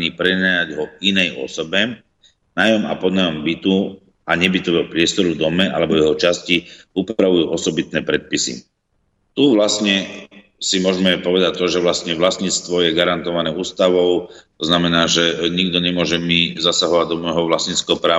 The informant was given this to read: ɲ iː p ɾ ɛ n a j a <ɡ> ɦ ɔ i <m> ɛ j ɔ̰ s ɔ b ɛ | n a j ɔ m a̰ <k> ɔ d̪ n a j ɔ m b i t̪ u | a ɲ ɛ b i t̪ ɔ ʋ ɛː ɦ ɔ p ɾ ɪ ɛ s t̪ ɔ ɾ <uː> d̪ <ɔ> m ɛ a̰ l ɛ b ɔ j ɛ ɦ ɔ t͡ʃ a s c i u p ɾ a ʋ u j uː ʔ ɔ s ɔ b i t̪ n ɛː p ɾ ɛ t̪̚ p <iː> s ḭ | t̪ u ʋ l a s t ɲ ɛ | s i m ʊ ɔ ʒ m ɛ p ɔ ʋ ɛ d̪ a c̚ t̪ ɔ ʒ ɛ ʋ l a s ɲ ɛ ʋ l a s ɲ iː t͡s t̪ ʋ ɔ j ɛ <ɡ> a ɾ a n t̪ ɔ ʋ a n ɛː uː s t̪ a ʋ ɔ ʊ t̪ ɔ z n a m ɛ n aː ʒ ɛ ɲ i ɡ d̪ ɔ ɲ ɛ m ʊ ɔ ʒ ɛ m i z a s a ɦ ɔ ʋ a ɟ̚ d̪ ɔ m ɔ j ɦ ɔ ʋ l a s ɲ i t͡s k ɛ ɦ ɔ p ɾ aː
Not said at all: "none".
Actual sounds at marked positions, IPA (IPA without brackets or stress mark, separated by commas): ɟ, n, p, u, ɔ, i, ɡ